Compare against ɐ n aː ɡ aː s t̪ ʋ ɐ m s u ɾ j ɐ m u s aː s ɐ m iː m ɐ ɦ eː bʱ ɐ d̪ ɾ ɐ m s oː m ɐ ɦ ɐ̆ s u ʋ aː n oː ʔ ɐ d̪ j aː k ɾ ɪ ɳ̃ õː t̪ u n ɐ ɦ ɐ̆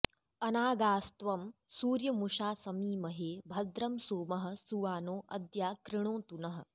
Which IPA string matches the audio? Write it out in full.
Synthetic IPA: ɐ n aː ɡ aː s t̪ ʋ ɐ m s uː ɾ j ɐ m u ʂ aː s ɐ m iː m ɐ ɦ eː bʱ ɐ d̪ ɾ ɐ m s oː m ɐ ɦ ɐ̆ s u ʋ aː n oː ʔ ɐ d̪ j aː k ɾ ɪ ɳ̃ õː t̪ u n ɐ ɦ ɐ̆